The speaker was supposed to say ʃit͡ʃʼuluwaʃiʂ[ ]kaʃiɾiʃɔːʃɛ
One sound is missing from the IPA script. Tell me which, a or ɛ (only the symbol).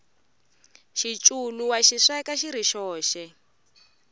ɛ